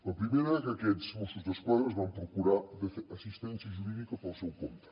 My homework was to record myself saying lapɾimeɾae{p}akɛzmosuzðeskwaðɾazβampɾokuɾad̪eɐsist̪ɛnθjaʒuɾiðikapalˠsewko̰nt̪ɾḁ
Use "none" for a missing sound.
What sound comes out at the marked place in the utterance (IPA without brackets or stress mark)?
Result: k